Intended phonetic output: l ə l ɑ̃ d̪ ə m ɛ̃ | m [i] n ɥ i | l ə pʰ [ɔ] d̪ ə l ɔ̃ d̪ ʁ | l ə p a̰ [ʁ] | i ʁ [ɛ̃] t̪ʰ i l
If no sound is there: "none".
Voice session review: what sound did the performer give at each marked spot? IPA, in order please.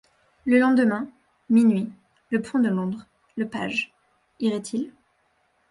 i, ɔ̃, ʒ, ɛ

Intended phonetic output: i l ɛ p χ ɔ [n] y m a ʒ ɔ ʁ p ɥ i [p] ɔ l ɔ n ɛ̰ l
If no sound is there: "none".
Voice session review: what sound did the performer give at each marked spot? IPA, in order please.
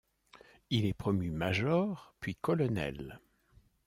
m, k

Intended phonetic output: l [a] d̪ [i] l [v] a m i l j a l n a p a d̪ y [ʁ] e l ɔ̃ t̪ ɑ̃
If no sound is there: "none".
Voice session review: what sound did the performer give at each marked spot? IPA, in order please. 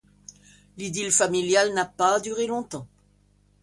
i, i, f, ʁ

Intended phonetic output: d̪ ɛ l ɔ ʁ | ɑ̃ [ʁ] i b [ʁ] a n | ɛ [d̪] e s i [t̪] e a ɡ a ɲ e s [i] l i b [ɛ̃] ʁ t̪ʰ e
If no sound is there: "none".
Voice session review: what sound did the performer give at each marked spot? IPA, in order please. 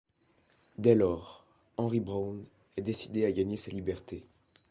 ʁ, ʁ, d̪, d̪, a, ɛ

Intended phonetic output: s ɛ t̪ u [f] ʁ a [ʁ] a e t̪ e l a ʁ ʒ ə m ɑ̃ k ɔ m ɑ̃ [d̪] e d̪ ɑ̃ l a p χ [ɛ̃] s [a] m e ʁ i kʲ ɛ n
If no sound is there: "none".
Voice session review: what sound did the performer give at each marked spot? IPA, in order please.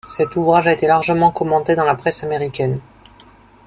v, ʒ, t̪, ɛ, a

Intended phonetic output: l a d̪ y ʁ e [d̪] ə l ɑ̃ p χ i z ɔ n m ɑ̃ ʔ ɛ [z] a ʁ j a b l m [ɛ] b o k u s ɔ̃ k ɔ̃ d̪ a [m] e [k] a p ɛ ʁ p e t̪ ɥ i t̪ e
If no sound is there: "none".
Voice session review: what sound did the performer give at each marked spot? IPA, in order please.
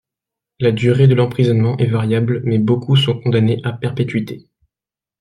d̪, v, ɛ, n, ʔ

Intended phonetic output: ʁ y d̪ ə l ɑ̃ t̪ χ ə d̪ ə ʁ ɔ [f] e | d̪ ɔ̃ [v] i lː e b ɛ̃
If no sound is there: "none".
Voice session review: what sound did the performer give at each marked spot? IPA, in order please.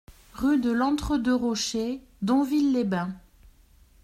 ʃ, v

